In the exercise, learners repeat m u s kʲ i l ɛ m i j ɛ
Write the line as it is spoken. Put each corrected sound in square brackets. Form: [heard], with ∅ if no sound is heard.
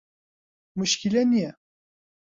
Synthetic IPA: m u [ʃ] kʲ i l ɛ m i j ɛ